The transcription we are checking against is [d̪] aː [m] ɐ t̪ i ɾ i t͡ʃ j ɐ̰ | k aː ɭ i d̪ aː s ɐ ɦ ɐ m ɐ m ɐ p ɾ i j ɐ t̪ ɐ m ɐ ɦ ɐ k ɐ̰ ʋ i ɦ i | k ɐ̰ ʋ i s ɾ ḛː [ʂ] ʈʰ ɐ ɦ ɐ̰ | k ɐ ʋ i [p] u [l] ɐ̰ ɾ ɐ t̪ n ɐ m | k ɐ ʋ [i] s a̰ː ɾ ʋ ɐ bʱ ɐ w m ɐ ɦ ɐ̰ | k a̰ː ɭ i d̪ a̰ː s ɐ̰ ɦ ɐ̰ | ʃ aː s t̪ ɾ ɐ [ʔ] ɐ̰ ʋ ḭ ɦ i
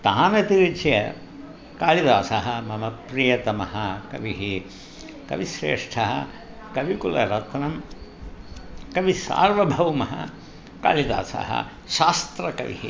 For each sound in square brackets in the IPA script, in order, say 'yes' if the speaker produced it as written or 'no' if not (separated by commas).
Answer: no, no, yes, no, yes, yes, no